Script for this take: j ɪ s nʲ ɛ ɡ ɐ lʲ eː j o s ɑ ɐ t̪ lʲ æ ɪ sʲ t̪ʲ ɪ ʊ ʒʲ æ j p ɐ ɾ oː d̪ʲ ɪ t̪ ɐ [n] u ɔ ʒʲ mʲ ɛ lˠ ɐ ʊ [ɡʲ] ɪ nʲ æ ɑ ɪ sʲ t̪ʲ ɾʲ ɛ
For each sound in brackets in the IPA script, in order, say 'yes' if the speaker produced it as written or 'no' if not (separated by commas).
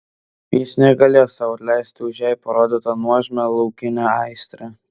yes, no